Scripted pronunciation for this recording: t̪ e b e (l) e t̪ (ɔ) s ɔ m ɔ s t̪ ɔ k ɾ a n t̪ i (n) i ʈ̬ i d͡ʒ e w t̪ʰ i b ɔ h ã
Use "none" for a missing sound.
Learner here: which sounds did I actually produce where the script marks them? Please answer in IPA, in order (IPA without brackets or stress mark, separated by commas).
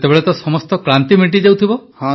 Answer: ɭ, ɔ, m